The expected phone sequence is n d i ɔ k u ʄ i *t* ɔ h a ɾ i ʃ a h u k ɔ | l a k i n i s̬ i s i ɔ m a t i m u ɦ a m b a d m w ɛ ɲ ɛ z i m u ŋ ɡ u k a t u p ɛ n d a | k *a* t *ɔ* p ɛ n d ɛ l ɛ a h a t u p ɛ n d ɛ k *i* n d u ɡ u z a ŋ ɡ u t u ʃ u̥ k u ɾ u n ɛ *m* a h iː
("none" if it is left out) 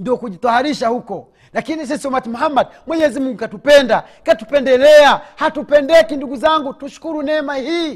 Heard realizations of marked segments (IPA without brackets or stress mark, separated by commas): t, a, u, i, m